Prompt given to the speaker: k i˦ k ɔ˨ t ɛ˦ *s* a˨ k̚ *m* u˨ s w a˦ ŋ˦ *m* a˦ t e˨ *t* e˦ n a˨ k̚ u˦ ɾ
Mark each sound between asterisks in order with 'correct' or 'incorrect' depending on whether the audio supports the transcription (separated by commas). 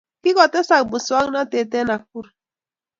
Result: correct, incorrect, incorrect, correct